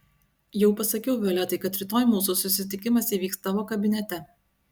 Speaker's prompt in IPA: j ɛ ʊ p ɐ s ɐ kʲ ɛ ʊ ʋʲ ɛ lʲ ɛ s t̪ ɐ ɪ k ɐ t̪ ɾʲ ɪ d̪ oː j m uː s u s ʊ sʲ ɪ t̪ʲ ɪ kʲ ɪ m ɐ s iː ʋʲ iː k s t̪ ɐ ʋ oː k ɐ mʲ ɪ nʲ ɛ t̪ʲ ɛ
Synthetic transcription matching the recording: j ɛ ʊ p ɐ s ɐ kʲ ɛ ʊ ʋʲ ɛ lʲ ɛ t̪ ɐ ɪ k ɐ t̪ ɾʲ ɪ t̪ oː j m uː s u s ʊ sʲ ɪ t̪ʲ ɪ kʲ ɪ m ɐ s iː ʋʲ iː k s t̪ ɐ ʋ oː k ɐ bʲ ɪ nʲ ɛ t̪ʲ ɛ